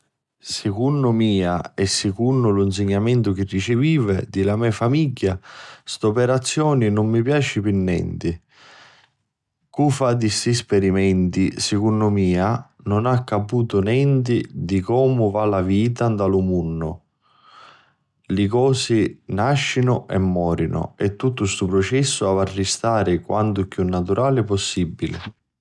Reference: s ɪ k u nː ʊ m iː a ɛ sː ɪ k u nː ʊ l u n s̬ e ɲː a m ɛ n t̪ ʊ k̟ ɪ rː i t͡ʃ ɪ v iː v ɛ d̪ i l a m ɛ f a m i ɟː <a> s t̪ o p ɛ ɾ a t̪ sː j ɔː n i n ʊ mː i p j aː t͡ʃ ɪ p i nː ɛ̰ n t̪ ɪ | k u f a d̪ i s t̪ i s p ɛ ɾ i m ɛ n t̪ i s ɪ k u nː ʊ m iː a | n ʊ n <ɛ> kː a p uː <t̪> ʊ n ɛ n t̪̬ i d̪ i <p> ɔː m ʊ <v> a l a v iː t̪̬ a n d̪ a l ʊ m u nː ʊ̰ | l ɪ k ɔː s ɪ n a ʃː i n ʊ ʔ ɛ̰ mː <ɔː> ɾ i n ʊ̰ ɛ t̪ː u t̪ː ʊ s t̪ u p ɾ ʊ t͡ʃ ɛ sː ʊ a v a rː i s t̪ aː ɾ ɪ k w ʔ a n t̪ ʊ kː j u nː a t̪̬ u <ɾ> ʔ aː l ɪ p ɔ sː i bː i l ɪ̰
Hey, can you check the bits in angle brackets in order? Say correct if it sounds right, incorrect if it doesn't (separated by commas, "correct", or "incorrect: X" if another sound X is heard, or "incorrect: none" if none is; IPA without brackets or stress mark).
correct, incorrect: a, correct, incorrect: k, correct, correct, correct